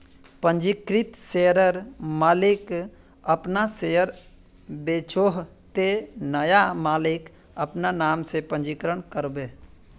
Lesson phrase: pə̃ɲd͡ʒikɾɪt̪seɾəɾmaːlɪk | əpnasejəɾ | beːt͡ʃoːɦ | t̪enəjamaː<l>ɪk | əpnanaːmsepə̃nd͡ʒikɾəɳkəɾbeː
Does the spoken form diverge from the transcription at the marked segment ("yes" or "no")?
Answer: no